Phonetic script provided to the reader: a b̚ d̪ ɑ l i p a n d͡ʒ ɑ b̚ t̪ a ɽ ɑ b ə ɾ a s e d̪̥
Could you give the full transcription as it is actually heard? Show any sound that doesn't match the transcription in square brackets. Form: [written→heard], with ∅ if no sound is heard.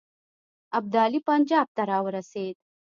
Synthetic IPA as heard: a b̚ d̪ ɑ l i p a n d͡ʒ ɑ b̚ t̪ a [ɽ→ɾ] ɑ [b→w] ə ɾ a s e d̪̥